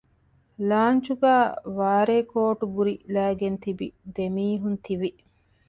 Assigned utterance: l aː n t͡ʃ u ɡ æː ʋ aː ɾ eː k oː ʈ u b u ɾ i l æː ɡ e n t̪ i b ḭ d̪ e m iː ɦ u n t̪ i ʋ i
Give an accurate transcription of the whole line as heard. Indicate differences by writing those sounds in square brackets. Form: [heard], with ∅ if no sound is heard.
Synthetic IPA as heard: l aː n t͡ʃ u ɡ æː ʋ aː ɾ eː k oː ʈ u b u ɾ i l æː ɡ e n t̪ i b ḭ d̪ e m iː ɦ u n t̪ i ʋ i